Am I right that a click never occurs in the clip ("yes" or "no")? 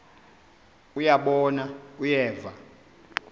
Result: yes